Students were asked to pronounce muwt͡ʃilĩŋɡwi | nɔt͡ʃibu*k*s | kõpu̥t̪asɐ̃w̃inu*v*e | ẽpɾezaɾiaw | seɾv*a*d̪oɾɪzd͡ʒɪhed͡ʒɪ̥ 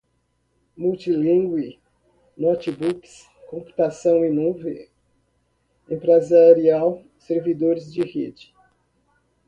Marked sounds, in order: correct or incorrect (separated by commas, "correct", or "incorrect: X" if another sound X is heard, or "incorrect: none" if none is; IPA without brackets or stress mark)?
correct, correct, incorrect: i